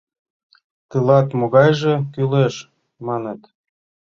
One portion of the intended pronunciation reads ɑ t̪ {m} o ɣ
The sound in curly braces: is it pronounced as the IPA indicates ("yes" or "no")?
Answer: yes